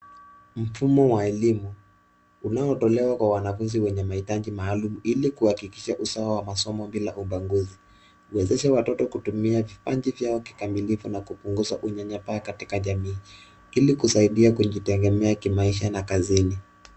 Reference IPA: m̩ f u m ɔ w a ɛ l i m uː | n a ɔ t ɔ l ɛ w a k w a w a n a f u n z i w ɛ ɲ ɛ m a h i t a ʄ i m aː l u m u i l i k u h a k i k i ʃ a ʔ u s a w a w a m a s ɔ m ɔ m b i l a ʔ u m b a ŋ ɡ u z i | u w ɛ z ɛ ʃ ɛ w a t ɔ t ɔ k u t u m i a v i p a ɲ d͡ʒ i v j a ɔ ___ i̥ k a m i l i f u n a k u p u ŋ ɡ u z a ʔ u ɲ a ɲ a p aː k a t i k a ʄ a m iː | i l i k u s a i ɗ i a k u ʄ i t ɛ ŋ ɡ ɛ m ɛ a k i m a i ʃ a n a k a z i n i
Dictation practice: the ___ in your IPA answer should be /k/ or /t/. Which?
k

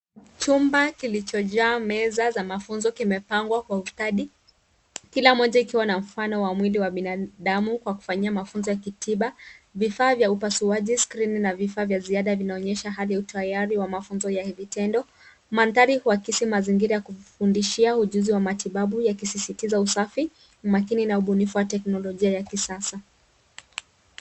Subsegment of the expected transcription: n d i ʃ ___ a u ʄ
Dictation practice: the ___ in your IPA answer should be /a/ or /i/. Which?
i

